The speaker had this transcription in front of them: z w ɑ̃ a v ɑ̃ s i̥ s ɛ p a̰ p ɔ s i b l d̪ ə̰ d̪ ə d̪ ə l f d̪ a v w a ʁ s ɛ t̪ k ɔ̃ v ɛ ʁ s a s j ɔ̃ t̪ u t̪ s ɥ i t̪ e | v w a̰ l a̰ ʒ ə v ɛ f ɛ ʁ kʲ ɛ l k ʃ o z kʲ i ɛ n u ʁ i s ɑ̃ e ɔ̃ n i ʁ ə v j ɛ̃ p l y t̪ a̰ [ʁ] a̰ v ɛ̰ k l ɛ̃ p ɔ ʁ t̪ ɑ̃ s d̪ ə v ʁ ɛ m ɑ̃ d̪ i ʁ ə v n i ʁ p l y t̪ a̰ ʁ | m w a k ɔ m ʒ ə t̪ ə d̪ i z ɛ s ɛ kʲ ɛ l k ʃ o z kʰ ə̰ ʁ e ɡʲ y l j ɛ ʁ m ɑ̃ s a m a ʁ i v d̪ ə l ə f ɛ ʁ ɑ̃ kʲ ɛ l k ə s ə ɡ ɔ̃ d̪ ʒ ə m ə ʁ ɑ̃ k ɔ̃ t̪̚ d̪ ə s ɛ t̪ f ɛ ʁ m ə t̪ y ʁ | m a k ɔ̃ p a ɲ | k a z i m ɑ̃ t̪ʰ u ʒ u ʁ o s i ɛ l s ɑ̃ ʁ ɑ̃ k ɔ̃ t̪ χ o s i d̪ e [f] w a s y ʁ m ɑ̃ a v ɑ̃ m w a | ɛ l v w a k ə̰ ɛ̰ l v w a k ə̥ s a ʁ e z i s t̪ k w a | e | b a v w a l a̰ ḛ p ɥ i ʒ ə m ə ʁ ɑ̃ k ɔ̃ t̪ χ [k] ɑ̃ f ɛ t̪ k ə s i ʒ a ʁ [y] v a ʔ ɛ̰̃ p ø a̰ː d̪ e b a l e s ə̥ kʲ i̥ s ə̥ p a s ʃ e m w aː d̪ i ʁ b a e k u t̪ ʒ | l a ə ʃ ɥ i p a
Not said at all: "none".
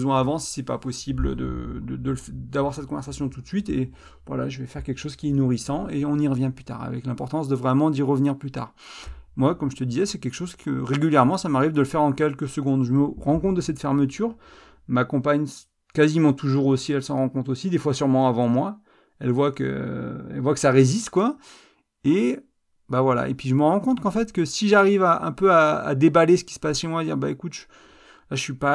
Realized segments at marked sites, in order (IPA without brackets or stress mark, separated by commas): ʁ, f, k, i